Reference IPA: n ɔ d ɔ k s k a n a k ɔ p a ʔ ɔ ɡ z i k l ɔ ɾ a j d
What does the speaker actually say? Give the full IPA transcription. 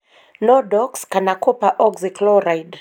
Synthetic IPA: n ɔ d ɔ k s k a n a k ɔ p a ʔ ɔ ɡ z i k l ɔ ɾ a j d